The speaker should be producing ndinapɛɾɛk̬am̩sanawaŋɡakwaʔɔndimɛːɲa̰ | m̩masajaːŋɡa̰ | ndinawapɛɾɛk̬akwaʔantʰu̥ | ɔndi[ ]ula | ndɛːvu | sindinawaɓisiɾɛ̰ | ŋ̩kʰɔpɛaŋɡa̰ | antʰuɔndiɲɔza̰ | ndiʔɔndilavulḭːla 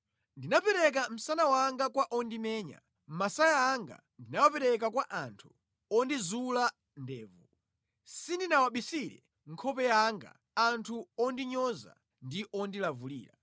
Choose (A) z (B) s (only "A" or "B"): A